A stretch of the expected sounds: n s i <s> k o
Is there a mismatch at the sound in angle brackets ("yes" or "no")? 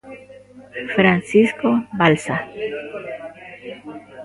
no